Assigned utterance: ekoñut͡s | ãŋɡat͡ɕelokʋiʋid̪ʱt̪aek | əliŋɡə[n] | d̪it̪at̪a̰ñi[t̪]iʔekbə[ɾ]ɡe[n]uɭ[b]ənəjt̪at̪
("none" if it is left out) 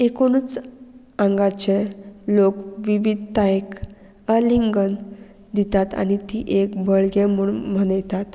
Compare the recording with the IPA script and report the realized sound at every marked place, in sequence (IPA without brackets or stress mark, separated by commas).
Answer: n, t̪, ɭ, m, m